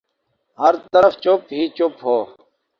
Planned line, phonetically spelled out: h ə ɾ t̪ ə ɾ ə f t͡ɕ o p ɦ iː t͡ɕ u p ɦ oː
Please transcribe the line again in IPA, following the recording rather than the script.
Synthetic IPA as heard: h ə ɾ t̪ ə ɾ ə f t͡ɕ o p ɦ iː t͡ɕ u p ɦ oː